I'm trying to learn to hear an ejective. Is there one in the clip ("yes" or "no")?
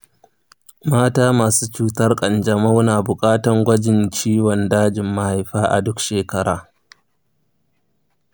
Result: yes